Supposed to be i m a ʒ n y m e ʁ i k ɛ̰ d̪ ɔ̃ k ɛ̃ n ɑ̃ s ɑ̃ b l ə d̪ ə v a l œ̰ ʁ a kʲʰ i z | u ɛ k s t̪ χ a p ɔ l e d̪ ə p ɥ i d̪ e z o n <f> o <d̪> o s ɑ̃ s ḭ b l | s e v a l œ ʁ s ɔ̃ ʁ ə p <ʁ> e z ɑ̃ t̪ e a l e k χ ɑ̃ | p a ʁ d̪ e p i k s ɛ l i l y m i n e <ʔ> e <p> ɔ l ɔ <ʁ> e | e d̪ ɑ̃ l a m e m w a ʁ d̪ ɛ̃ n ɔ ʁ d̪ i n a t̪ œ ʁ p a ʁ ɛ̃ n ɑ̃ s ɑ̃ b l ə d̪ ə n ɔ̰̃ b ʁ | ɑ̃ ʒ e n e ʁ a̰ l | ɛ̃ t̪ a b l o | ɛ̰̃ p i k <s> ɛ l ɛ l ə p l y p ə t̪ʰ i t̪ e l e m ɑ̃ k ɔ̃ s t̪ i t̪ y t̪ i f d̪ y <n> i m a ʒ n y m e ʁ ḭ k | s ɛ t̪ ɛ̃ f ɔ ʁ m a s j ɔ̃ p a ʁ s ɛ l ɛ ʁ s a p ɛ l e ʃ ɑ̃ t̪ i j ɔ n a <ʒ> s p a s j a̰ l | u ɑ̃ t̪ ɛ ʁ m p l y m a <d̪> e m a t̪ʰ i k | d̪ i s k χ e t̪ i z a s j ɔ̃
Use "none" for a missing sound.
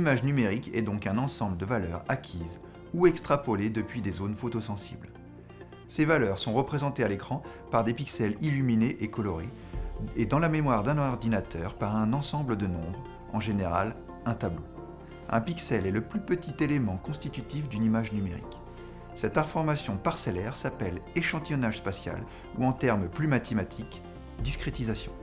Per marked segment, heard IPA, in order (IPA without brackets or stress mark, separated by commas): f, t̪, χ, ʔ, k, ʁ, s, n, ʒ, t̪